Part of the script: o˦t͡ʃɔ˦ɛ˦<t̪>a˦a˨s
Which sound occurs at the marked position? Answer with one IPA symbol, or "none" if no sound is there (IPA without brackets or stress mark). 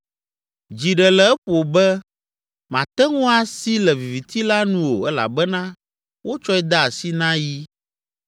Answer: d̪